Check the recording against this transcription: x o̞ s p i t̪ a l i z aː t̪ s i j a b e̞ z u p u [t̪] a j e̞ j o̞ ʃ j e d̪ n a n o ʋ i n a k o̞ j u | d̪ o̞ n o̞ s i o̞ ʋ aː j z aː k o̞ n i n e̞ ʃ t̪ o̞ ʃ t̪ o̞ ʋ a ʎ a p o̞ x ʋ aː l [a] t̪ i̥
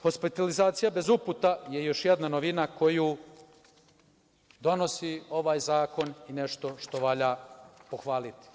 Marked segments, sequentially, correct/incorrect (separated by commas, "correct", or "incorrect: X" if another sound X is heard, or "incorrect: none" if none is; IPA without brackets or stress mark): correct, incorrect: i